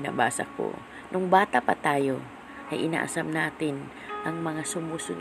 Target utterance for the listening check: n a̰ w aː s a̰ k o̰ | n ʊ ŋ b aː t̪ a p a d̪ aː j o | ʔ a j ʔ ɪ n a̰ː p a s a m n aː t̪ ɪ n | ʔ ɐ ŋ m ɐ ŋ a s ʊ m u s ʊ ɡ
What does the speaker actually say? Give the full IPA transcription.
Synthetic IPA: n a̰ b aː s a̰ k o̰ | n ʊ ŋ b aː t̪ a p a t̪ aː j o | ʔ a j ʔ ɪ n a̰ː ʔ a s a m n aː t̪ ɪ n | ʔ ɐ ŋ m ɐ ŋ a s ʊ m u s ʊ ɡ